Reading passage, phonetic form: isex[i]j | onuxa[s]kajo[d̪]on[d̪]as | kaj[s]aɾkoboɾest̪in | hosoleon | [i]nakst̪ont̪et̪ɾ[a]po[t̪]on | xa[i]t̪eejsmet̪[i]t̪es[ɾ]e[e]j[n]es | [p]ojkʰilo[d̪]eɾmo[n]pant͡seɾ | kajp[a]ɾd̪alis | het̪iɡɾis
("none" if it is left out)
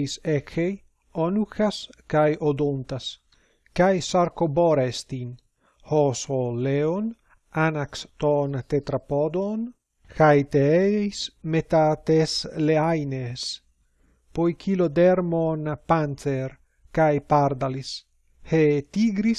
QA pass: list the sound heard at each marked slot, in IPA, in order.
e, s, d̪, t̪, s, a, a, d̪, j, a, l, a, n, p, d̪, n, a

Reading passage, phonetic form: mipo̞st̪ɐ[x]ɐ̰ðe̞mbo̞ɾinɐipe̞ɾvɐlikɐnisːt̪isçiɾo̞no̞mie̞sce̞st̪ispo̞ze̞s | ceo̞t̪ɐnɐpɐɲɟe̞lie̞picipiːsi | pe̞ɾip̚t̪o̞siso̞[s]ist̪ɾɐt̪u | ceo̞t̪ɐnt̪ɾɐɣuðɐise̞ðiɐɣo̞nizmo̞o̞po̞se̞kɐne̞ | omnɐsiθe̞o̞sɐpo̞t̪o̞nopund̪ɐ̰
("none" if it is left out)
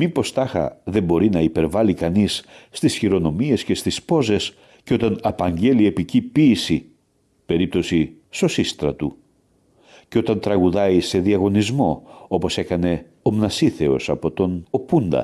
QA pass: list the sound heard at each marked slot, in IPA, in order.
x, s

